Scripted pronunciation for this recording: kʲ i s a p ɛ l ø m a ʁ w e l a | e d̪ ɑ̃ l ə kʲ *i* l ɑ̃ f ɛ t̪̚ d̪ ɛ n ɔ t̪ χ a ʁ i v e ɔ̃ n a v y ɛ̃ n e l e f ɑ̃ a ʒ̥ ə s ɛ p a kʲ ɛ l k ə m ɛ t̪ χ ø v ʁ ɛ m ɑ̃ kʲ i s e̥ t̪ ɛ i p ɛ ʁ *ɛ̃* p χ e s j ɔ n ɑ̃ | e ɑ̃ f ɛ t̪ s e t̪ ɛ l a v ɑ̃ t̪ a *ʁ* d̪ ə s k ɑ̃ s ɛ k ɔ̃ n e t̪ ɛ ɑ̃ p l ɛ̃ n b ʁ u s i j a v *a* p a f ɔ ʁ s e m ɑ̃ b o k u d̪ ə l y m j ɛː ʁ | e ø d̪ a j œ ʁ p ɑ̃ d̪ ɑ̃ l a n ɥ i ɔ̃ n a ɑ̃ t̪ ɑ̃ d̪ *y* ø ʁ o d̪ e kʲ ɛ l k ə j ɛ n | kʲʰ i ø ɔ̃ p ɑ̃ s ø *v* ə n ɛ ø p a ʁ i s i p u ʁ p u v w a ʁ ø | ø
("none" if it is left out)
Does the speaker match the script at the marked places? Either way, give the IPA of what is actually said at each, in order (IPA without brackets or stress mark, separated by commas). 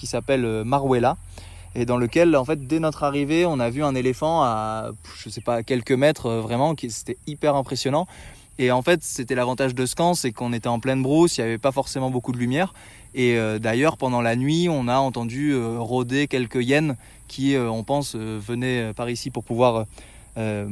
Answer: ɛ, ɛ̃, ʒ, ɛ, y, v